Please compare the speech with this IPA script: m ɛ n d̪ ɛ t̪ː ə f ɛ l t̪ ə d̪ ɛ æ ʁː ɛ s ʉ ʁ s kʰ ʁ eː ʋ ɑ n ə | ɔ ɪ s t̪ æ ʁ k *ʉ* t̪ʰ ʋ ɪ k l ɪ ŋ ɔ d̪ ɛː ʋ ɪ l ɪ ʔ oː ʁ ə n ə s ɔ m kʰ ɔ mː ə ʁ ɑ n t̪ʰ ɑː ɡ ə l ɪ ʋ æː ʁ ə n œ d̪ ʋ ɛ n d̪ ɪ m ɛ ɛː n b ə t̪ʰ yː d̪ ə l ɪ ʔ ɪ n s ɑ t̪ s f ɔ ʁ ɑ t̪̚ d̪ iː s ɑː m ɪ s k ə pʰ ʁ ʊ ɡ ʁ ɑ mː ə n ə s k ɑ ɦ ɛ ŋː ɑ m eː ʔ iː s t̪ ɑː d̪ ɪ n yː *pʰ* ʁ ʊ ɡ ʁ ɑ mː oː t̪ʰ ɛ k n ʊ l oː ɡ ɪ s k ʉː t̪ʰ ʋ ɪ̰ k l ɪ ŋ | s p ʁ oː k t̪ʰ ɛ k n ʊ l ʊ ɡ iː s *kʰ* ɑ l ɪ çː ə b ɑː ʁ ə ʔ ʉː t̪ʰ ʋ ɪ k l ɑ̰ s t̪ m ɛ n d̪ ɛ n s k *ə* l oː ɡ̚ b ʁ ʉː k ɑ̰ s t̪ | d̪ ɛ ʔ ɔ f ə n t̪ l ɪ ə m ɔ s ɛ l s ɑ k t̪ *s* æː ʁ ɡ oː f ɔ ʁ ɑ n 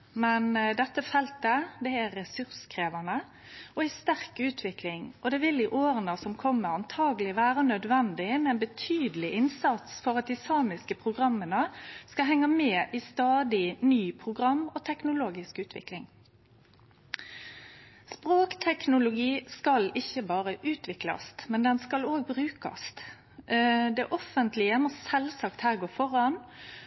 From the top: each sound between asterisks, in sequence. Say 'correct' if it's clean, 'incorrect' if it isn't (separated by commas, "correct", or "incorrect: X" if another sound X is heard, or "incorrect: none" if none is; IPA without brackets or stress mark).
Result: incorrect: ʉː, correct, incorrect: k, incorrect: ɑ, incorrect: h